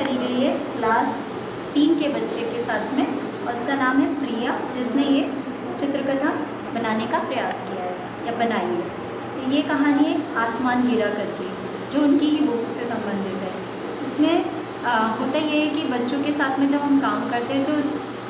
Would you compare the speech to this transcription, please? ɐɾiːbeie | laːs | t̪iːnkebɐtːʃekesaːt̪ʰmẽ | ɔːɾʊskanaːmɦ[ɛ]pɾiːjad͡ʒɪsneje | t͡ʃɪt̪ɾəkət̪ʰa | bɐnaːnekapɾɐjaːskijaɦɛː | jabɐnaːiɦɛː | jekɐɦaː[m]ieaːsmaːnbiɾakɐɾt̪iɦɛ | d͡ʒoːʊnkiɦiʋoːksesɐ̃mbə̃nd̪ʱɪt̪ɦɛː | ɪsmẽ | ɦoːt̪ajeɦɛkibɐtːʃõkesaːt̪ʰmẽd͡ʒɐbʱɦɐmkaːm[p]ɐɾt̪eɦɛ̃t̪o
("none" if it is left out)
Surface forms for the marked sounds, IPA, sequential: ɛ, n, k

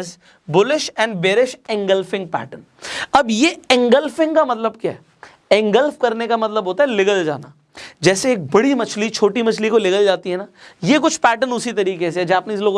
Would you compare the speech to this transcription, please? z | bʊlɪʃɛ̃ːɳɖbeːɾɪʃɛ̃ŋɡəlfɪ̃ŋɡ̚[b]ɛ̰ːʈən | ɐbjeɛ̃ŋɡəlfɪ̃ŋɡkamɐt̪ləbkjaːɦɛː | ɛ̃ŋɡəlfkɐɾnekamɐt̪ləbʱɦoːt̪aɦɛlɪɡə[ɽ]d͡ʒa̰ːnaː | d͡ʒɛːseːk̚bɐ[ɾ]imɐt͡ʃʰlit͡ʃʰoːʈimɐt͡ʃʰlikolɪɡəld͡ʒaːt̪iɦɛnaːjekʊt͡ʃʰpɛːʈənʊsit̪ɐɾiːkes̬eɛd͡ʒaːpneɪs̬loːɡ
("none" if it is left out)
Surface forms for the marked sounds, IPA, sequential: p, l, ɽ

